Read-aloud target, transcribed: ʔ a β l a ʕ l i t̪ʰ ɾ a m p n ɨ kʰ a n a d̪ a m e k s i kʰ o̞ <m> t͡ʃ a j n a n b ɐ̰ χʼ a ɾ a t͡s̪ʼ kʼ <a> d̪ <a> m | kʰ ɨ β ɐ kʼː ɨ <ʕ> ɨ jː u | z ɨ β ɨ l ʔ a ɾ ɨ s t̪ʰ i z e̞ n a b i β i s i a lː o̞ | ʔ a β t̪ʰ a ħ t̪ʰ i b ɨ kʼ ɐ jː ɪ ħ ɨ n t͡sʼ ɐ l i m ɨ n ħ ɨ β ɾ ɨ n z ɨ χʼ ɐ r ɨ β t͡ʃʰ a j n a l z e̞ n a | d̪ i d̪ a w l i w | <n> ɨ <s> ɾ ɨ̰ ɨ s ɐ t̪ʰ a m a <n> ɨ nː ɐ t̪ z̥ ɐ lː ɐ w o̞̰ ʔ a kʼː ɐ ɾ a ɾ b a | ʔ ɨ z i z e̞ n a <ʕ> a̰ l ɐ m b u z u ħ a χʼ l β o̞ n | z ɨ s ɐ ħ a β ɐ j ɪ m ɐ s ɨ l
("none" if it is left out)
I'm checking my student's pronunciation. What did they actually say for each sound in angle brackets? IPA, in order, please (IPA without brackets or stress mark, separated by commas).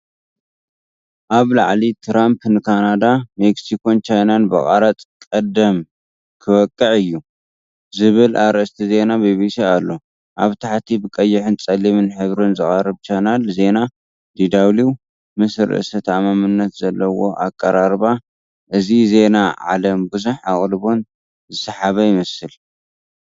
n, ɐ, ɐ, ʕ, m, s, m, ʕ